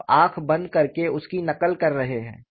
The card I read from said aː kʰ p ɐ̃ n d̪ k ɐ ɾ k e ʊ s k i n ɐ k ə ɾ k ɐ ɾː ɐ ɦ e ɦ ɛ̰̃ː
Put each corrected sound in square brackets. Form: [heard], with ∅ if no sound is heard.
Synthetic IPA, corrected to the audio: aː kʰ [b] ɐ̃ n d̪ k ɐ ɾ k e ʊ s k i n ɐ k ə [l] k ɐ ɾː ɐ ɦ e ɦ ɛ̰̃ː

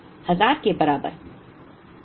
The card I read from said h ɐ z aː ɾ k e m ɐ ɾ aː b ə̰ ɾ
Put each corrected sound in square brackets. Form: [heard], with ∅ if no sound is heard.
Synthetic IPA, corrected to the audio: h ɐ z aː ɾ k e [b] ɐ ɾ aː b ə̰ ɾ

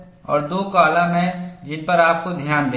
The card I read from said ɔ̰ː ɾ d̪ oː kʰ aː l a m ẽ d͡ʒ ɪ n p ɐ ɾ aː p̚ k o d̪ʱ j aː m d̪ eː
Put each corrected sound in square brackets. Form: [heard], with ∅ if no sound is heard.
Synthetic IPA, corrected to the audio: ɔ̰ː ɾ d̪ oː [k] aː l a m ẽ d͡ʒ ɪ n p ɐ ɾ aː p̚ k o d̪ʱ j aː [n] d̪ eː

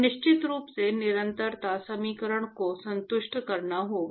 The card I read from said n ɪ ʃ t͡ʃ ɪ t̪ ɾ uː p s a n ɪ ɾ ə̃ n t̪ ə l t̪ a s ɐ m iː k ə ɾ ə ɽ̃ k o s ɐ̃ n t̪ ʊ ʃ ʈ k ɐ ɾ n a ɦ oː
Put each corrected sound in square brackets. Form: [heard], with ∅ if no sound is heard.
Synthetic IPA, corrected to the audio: n ɪ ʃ t͡ʃ ɪ t̪ ɾ uː p s [e] n ɪ ɾ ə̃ n t̪ ə [ɾ] t̪ a s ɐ m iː k ə ɾ ə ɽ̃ k o s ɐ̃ n t̪ ʊ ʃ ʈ k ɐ ɾ n a ɦ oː

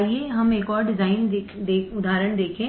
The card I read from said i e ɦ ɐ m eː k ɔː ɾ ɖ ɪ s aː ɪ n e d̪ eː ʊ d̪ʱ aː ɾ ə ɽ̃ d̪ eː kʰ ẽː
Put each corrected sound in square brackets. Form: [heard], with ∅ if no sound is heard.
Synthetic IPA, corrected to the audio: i e ɦ ɐ m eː k ɔː ɾ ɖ ɪ [z] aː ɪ n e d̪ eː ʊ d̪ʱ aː ɾ ə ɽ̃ d̪ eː kʰ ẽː

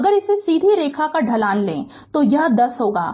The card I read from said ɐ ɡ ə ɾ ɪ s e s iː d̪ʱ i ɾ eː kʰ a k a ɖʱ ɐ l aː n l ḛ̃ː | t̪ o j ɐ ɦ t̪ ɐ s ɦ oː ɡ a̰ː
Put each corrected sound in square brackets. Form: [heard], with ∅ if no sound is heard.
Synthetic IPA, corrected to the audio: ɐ ɡ ə ɾ ɪ s e s iː d̪ʱ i ɾ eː kʰ a k a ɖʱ ɐ l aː n l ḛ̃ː | t̪ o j ɐ ɦ [d̪] ɐ s ɦ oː ɡ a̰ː

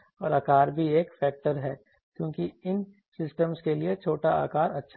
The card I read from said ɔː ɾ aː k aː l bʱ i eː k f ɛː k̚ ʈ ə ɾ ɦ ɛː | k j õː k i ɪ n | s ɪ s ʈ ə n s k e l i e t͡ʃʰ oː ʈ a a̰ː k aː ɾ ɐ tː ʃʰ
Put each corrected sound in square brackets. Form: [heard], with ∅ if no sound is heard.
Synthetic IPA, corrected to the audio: ɔː ɾ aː k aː [ɾ] bʱ i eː k f ɛː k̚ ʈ ə ɾ ɦ ɛː | k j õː k i ɪ n | s ɪ s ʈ ə [m] s k e l i e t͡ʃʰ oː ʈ a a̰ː k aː ɾ ɐ tː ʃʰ

